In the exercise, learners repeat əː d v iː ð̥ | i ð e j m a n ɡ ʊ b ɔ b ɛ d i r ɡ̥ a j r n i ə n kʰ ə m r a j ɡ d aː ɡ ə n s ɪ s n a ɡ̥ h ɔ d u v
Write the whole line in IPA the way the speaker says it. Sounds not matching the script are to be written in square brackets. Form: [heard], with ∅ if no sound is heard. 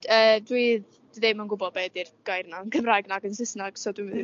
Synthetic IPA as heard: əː d [w] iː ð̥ | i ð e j m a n ɡ ʊ b ɔ b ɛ d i r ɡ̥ a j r n [a] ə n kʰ ə m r a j ɡ [n] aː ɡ ə n s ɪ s n a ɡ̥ [s] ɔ d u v